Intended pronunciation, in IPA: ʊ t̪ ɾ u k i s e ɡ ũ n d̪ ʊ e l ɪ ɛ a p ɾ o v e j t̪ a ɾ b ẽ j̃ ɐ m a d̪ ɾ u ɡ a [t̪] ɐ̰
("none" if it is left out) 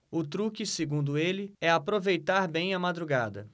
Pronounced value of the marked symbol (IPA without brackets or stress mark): d̪